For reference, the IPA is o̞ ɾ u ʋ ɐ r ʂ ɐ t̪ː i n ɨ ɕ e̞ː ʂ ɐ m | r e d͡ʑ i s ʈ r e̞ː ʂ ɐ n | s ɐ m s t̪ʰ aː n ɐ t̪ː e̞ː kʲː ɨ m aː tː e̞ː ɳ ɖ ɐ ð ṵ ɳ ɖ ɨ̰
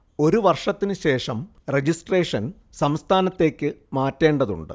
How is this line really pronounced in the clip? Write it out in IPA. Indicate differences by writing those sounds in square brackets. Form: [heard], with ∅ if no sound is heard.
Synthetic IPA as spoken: o̞ ɾ u ʋ ɐ r ʂ ɐ t̪ː i n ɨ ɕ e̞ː ʂ ɐ m | r e d͡ʑ i s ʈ r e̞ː ʂ ɐ n | s ɐ m s t̪ʰ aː n ɐ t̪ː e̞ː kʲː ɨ m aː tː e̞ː ɳ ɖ ɐ ð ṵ ɳ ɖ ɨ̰